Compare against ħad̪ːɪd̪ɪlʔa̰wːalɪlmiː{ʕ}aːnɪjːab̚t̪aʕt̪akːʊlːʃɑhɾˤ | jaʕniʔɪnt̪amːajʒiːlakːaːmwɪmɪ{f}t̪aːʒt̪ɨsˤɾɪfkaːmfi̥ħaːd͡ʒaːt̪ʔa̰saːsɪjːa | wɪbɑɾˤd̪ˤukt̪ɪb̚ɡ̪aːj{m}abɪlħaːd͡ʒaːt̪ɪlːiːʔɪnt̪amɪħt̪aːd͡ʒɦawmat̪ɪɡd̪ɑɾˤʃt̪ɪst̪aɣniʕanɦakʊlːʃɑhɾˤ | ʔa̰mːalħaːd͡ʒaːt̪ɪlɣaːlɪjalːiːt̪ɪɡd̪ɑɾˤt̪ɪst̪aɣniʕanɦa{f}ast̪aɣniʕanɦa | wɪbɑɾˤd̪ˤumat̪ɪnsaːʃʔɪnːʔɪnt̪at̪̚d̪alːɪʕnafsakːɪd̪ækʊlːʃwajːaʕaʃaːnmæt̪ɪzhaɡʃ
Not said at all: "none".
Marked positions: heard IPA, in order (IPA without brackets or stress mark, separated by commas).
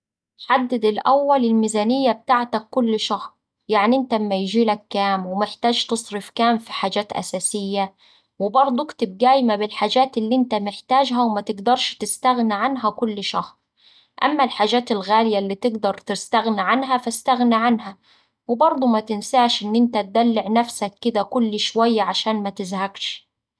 z, ħ, m, f